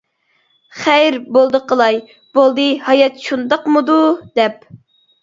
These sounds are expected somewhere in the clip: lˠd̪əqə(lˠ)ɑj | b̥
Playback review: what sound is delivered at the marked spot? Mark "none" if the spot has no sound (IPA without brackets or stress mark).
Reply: lˠ